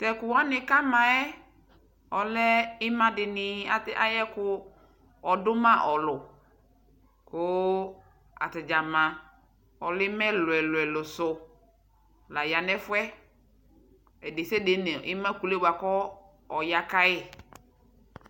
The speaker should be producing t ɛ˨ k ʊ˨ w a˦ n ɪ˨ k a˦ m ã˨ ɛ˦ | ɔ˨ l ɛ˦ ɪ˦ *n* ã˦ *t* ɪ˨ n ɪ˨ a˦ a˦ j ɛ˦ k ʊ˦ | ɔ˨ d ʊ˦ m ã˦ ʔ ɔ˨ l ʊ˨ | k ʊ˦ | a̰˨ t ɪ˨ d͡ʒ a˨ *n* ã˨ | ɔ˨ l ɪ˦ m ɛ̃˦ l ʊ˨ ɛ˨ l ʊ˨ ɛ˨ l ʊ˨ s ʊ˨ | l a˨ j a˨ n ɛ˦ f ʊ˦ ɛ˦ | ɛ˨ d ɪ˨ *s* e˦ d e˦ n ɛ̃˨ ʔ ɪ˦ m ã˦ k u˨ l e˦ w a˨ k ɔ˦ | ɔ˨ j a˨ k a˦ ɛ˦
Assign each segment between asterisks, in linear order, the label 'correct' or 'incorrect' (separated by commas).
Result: incorrect, incorrect, incorrect, correct